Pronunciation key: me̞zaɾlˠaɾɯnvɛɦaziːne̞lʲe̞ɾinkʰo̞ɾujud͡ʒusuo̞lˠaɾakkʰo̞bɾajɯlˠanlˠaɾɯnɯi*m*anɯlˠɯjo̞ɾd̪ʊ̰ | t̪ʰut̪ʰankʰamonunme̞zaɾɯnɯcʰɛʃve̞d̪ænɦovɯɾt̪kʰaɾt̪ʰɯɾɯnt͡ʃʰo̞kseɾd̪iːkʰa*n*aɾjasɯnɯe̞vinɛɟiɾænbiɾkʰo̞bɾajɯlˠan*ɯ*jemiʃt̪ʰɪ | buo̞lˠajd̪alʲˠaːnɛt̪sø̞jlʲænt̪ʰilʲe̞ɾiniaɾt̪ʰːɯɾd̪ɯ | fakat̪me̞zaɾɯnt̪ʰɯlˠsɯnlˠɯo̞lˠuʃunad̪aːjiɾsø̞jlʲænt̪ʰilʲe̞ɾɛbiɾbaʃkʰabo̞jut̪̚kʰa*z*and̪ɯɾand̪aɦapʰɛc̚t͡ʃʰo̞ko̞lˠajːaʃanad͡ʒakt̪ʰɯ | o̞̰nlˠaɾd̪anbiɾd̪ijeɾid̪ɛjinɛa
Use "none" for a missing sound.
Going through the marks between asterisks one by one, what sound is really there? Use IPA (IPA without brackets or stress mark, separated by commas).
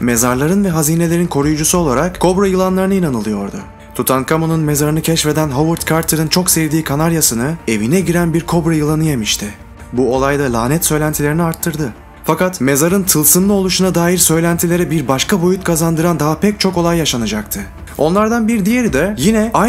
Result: n, n, ɯ, z